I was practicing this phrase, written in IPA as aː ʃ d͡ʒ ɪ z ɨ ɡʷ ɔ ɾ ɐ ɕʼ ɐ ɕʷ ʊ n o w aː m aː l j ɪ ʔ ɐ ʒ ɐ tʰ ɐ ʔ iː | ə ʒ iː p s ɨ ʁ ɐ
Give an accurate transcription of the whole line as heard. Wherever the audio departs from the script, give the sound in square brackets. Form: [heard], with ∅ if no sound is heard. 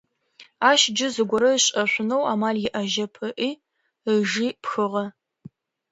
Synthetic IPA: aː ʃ d͡ʒ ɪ z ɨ ɡʷ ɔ ɾ ɐ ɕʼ ɐ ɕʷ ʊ n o w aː m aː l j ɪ ʔ ɐ ʒ ɐ [pʰ] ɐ ʔ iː | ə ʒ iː p [x] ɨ ʁ ɐ